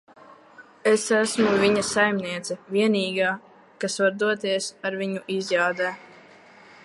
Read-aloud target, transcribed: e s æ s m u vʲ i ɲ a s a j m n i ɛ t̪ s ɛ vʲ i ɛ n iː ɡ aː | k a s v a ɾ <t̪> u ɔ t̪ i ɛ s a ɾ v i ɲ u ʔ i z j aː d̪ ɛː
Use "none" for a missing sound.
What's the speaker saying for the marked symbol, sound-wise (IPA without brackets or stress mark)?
d̪